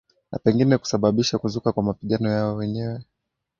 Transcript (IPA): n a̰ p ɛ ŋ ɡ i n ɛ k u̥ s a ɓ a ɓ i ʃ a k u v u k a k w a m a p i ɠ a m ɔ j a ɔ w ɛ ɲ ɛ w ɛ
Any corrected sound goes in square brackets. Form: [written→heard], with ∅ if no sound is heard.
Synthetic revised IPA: n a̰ p ɛ ŋ ɡ i n ɛ k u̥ s a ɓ a ɓ i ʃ a k u [v→z] u k a k w a m a p i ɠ a [m→n] ɔ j a ɔ w ɛ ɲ ɛ w ɛ